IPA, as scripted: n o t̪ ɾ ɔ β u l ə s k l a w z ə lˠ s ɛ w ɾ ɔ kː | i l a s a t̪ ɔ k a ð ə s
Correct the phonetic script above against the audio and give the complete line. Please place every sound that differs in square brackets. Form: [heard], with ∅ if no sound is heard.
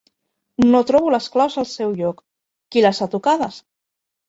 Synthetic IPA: n o t̪ ɾ ɔ β u l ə s k l a w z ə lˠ s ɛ w [ʎ] ɔ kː | i l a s a t̪ [u] k a ð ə s